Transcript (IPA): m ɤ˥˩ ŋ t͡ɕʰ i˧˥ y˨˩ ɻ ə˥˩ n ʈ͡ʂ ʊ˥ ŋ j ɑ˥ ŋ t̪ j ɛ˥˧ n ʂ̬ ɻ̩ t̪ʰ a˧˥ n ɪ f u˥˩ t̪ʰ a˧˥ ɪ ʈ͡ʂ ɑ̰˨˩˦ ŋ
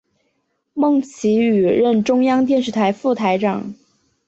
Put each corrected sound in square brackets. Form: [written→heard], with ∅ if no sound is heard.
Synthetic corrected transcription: m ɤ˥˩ ŋ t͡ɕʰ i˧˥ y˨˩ ɻ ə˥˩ n ʈ͡ʂ ʊ˥ ŋ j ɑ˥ ŋ t̪ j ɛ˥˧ n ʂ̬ ɻ̩ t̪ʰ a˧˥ [n→∅] ɪ f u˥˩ t̪ʰ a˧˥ ɪ ʈ͡ʂ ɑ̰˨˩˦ ŋ